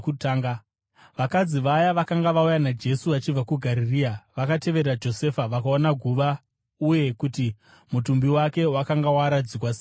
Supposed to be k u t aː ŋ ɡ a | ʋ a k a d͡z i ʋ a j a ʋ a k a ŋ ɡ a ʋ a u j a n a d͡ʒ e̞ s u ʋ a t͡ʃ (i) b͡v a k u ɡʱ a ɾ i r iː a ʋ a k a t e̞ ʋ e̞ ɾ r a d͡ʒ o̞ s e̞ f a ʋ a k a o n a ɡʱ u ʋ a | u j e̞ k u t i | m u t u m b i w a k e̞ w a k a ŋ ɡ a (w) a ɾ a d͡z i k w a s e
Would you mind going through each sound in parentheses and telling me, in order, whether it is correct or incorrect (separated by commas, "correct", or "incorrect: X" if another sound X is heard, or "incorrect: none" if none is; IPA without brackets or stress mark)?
correct, correct